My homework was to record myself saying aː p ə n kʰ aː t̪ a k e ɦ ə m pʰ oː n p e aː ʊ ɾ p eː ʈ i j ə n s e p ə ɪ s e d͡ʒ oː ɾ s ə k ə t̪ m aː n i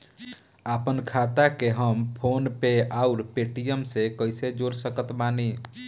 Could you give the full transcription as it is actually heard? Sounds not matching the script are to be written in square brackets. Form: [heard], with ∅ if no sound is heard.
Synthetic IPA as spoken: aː p ə n kʰ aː t̪ a k e ɦ ə m pʰ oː n p e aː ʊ ɾ p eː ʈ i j ə [m] s e [k] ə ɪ s e d͡ʒ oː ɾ s ə k ə t̪ m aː n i

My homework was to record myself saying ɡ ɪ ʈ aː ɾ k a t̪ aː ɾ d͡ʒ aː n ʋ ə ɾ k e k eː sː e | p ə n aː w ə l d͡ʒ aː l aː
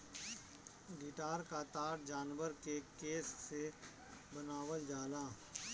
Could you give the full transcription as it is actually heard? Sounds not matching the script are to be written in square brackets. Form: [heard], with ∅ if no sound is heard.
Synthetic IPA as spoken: ɡ ɪ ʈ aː ɾ k a t̪ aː ɾ d͡ʒ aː n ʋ ə ɾ k e k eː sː e | [b] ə n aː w ə l d͡ʒ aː l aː

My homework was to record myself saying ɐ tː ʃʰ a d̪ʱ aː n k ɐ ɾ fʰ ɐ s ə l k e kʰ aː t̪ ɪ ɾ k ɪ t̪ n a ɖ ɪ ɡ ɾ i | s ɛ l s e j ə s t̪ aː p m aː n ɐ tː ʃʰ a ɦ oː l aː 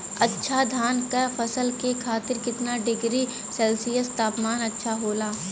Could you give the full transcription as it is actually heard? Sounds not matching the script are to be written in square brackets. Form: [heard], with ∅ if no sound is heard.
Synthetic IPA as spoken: ɐ tː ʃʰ a d̪ʱ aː n k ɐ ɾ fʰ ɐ s ə l k e kʰ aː t̪ ɪ ɾ k ɪ t̪ n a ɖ ɪ ɡ ɾ i | s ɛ l s [i] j ə s t̪ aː p m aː n ɐ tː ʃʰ a ɦ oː l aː

